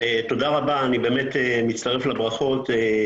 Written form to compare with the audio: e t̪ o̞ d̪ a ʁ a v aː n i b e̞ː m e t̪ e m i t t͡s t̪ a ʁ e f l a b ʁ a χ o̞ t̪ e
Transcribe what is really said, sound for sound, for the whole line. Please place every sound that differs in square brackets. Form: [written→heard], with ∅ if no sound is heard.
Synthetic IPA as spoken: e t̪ o̞ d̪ a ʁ a [v→b] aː n i b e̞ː m e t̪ e m i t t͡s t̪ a ʁ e f l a b ʁ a χ o̞ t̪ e